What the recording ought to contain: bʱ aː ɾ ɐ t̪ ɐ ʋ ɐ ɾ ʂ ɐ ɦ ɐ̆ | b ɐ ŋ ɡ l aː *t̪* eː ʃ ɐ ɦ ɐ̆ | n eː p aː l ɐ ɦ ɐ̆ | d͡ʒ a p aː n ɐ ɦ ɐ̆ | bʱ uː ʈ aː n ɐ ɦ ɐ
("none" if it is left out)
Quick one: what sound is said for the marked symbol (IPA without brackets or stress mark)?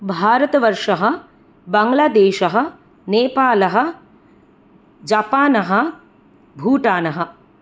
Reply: d̪